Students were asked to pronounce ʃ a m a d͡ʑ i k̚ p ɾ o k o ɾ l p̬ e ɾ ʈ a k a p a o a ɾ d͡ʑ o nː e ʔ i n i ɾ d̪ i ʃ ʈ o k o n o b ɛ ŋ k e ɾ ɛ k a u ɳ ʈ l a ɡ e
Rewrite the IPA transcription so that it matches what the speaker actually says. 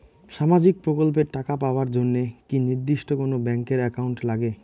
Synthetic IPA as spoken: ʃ a m a d͡ʑ i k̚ p ɾ o k o l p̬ e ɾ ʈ a k a p a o a ɾ d͡ʑ o nː e k i n i ɾ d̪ i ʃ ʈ o k o n o b ɛ ŋ k e ɾ ɛ k a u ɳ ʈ l a ɡ e

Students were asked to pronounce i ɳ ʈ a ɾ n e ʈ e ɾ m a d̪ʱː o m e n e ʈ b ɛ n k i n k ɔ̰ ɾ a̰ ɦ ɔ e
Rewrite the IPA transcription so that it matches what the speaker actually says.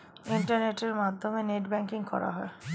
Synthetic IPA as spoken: i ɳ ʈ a ɾ n e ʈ e ɾ m a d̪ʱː o m e n e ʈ b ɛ ŋ k i ŋ k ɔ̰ ɾ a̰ ɦ ɔ e

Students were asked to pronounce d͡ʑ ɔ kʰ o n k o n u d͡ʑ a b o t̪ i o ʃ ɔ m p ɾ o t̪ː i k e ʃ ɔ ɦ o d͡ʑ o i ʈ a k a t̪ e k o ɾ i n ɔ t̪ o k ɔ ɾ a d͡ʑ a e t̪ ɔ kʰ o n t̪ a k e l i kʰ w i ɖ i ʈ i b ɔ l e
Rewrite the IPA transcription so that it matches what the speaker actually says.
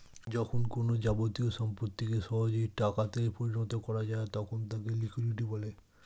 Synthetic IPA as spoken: d͡ʑ ɔ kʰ o n k o n o d͡ʑ a b o t̪ i o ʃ ɔ m p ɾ o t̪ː i k e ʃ ɔ ɦ o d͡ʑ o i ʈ a k a t̪ e p o ɾ i n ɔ t̪ o k ɔ ɾ a d͡ʑ a e t̪ ɔ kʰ o n t̪ a k e l i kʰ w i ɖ i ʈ i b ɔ l e

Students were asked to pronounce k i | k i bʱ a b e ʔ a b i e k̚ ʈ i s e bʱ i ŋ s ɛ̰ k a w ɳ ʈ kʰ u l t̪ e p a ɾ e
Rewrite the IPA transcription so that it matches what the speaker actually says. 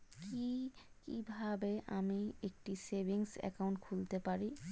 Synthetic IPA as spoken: k i | k i bʱ a b e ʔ a m i e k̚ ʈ i s e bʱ i ŋ s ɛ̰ k a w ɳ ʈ kʰ u l t̪ e p a ɾ i

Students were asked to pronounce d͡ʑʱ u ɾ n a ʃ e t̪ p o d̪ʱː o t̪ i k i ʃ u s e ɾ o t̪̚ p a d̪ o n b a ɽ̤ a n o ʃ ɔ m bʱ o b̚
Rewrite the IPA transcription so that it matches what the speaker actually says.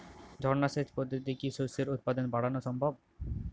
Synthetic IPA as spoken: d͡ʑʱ ɔ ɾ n a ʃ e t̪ p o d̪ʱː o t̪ i k i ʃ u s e ɾ u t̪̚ p a d̪ o n b a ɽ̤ a n o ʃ ɔ m bʱ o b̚

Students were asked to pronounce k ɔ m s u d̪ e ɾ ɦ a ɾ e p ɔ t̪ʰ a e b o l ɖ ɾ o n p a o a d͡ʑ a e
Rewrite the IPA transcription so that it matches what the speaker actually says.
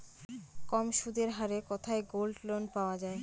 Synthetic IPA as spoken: k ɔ m ʃ u d̪ e ɾ ɦ a ɾ e k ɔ t̪ʰ a e ɡ o l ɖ l o n p a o a d͡ʑ a e

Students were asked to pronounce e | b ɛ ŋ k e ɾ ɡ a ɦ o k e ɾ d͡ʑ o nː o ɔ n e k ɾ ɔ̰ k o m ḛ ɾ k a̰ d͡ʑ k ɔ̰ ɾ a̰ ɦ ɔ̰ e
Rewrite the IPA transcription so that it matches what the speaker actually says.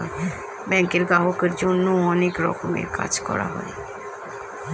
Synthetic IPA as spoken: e | b ɛ ŋ k e ɾ ɡ a ɦ o k e ɾ d͡ʑ o nː o ɔ n e k ɾ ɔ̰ k o m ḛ ɾ k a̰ d͡ʑ k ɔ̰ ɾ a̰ ɦ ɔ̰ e

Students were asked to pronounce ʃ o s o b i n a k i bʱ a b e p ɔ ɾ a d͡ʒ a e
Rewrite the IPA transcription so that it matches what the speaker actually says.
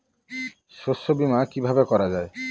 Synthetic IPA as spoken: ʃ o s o b i m a k i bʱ a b e k ɔ ɾ a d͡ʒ a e

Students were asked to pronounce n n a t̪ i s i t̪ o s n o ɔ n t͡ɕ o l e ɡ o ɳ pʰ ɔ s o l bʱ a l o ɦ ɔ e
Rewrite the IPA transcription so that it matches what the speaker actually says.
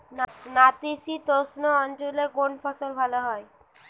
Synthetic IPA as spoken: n n a t̪ i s i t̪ o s n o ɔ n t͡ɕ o l e ɡ o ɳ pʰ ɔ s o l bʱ a l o ɦ ɔ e

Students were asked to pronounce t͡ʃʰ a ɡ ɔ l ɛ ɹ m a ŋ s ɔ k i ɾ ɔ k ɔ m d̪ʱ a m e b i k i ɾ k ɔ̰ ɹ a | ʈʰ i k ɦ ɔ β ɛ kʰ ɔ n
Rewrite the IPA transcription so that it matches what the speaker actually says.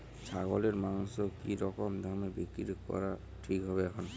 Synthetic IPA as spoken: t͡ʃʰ a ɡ ɔ l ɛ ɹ m a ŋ s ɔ k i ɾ ɔ k ɔ m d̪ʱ a m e b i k i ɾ k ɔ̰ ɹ a | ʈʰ i k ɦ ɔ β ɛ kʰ ɔ n

